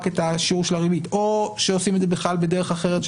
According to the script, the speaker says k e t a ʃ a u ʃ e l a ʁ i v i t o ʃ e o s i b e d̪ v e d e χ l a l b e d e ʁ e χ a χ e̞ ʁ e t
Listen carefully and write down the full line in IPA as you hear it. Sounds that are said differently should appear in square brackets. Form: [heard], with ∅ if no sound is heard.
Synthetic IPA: k e t a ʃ [i] u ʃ e l a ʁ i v i t o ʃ e o s i [m] e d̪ [z] e [b] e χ l a l b e d e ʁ e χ a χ e̞ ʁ e t